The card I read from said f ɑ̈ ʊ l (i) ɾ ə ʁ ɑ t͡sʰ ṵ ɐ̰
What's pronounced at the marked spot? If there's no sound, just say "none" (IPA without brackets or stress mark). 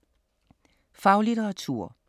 i